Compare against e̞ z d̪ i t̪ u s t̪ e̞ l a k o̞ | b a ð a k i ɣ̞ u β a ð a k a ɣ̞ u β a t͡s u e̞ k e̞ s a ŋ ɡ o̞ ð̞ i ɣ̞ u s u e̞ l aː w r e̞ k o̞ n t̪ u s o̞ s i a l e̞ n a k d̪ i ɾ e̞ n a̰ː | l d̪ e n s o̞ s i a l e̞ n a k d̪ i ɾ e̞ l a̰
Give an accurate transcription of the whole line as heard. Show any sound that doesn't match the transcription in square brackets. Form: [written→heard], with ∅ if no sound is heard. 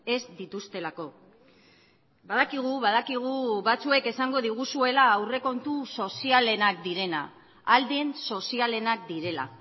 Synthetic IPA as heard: e̞ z d̪ i t̪ u s t̪ e̞ l a k o̞ | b a ð a k i ɣ̞ u β a ð a k [a→i] ɣ̞ u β a t͡s u e̞ k e̞ s a ŋ ɡ o̞ ð̞ i ɣ̞ u s u e̞ l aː w r e̞ k o̞ n t̪ u s o̞ s i a l e̞ n a k d̪ i ɾ e̞ n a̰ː | l d̪ e n s o̞ s i a l e̞ n a k d̪ i ɾ e̞ l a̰